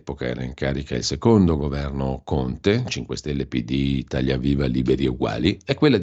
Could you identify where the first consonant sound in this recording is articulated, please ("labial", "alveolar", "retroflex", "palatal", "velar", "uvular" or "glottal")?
labial